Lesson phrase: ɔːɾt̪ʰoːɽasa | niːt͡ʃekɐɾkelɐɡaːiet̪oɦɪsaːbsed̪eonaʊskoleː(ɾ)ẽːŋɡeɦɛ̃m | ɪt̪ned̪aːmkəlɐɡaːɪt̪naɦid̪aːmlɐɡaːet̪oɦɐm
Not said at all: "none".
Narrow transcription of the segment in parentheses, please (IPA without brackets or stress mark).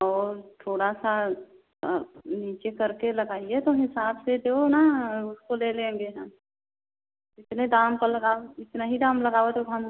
l